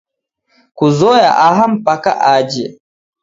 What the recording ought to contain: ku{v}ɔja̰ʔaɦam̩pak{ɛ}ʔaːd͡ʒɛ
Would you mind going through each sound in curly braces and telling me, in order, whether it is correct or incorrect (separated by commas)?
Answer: incorrect, incorrect